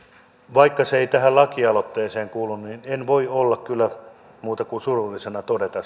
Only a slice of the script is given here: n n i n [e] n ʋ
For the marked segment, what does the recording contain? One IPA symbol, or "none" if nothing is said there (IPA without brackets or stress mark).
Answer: e